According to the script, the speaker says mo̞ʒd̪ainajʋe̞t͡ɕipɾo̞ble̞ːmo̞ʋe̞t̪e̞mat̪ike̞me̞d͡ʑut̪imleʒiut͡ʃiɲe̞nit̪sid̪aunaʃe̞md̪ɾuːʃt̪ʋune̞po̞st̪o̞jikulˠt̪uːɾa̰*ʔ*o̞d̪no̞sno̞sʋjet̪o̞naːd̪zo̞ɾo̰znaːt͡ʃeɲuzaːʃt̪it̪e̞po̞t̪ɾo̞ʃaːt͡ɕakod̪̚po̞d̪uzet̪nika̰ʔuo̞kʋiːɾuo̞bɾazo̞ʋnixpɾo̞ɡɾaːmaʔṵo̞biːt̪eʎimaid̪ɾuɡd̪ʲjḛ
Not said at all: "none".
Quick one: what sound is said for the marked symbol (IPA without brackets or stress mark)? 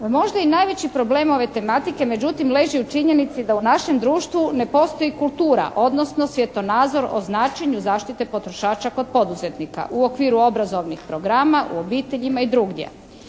ʔ